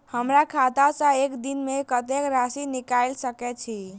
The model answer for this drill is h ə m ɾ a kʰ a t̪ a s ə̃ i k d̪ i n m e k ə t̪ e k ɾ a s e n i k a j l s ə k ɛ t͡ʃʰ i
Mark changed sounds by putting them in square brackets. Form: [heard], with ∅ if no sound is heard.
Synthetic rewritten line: h ə m ɾ a kʰ a t̪ a s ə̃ [e] k d̪ i n m e k ə t̪ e k ɾ a s [i] n i k a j l s ə k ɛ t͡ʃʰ i